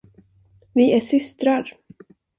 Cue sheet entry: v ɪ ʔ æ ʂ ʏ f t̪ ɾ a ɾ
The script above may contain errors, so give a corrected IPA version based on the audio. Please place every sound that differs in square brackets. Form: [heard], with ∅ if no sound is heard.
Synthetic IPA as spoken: v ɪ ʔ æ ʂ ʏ [s] t̪ ɾ a ɾ